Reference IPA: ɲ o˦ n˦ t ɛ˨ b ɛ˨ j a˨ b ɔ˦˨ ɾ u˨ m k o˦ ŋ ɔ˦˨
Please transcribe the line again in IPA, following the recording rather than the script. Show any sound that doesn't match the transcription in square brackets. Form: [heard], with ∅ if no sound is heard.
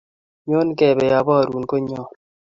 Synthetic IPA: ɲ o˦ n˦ [k] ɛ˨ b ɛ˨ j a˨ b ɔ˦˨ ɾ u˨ [n] k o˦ [ɲ] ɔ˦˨